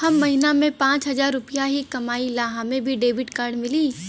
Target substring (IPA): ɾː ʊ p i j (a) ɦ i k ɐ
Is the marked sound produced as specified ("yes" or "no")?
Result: yes